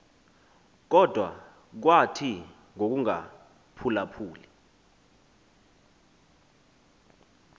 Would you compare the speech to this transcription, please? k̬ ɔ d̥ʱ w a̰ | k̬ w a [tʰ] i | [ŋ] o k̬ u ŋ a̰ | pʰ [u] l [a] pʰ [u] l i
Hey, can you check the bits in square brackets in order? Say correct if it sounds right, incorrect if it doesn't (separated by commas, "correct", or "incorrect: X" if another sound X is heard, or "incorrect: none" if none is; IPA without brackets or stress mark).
correct, correct, correct, correct, incorrect: uː